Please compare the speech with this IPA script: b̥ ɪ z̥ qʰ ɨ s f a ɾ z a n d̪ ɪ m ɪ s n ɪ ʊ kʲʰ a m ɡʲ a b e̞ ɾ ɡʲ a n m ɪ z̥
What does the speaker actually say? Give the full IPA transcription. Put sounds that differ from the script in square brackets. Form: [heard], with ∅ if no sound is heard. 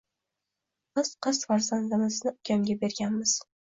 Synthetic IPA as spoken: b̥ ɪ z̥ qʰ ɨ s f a ɾ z a n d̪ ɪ m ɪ [z] n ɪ ʊ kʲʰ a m ɡʲ a b e̞ ɾ ɡʲ a n m ɪ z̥